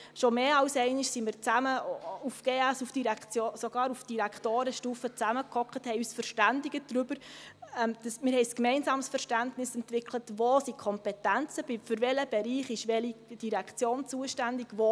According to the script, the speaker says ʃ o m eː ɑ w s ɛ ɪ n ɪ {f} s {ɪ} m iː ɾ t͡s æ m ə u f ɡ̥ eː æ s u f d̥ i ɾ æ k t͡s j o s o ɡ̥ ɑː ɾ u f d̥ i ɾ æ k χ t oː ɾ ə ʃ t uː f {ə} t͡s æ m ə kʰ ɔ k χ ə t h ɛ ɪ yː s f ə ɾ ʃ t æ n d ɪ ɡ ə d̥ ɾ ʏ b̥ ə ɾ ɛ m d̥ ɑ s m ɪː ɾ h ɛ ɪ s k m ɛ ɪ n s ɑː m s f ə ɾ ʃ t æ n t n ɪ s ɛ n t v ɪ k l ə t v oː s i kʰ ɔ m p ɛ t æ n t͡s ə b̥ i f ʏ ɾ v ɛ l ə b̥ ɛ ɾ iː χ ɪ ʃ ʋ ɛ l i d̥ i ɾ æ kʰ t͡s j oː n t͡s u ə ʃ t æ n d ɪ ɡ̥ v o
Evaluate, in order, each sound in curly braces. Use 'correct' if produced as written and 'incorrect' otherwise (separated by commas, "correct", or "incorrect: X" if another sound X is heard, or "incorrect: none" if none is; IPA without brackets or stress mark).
incorrect: ʃ, incorrect: i, correct